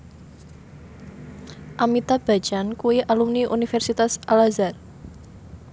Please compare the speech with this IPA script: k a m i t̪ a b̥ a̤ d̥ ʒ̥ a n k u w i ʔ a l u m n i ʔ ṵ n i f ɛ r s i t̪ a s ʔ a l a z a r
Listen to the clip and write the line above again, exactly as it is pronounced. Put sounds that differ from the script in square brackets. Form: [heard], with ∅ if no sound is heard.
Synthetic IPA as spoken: [ʔ] a m i t̪ a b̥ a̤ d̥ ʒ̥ a n k u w i ʔ a l u m n i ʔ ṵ n i f ɛ r s i t̪ a s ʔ a l a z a r